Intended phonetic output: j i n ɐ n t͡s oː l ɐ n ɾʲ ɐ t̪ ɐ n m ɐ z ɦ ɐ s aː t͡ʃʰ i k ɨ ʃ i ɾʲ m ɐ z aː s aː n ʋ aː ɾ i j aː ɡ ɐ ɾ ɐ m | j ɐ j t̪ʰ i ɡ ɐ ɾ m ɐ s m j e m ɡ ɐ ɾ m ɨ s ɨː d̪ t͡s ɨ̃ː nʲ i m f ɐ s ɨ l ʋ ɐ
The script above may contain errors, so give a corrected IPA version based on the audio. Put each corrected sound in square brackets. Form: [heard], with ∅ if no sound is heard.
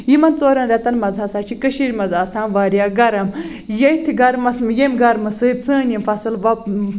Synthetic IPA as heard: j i [m] ɐ n t͡s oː [ɾ] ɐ n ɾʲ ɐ t̪ ɐ n m ɐ z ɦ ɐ s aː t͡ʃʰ i k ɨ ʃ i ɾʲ m ɐ z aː s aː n ʋ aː ɾ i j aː ɡ ɐ ɾ ɐ m | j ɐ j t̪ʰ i ɡ ɐ ɾ m ɐ s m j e m ɡ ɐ ɾ m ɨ s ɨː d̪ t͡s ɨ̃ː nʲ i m f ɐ s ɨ l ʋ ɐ